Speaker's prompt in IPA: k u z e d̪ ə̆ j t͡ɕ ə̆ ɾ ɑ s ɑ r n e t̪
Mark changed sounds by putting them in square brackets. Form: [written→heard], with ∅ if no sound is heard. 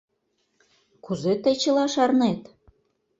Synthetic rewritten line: k u z e [d̪→t̪] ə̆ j t͡ɕ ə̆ [ɾ→l] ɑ [s→ʃ] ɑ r n e t̪